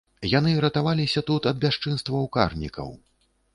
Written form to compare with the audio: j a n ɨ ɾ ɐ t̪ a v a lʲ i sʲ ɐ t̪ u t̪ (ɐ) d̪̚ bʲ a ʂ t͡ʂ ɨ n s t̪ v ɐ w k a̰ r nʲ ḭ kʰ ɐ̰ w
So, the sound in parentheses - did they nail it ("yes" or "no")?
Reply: yes